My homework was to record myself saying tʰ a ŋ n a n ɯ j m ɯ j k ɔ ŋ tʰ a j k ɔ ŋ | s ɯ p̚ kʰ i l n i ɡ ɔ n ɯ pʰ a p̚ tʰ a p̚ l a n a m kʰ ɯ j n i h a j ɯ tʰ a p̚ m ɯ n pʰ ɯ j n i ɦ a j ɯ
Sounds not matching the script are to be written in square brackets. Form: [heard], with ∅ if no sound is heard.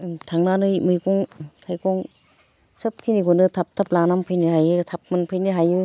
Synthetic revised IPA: tʰ a ŋ n a n ɯ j m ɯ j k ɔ ŋ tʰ a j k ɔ ŋ | s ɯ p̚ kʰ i [∅] n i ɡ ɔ n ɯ [tʰ] a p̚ tʰ a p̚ l a n a m [pʰ] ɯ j n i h a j ɯ tʰ a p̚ m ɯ n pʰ ɯ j n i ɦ a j ɯ